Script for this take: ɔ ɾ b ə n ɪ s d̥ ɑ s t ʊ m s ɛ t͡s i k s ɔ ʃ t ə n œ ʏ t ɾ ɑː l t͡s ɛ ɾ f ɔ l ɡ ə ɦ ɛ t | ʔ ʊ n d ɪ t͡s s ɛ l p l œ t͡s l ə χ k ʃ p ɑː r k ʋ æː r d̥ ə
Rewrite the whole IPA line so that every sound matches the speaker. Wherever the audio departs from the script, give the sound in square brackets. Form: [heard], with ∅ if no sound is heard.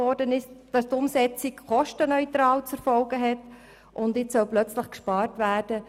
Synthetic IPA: ɔ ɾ [d] ə n ɪ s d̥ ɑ s t ʊ m s ɛ t͡s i k [χ] ɔ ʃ t ə n œ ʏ t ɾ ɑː l t͡s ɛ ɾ f ɔ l ɡ ə ɦ ɛ t | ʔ ʊ n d ɪ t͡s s [œ] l p l œ t͡s l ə χ k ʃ p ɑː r [t] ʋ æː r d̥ ə